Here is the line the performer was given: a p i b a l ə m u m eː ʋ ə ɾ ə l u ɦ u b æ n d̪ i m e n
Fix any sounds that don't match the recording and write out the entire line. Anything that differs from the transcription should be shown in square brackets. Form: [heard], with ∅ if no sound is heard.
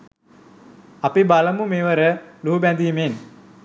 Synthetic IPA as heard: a p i b a l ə m u m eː ʋ ə ɾ ə l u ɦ u b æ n d̪ i m e n